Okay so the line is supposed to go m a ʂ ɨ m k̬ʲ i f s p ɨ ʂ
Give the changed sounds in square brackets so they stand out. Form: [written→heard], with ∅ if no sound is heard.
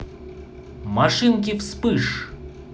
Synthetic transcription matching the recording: m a ʂ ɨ [m→n] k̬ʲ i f s p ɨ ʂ